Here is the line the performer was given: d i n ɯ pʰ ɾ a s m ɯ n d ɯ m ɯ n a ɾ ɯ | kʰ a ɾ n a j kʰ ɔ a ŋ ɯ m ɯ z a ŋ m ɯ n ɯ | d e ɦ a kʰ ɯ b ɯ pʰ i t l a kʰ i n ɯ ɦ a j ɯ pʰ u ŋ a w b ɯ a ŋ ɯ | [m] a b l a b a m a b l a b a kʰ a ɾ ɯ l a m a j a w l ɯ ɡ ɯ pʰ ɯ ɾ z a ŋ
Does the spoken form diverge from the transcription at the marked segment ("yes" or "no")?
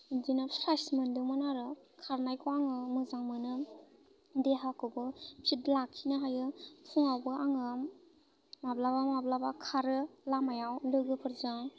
no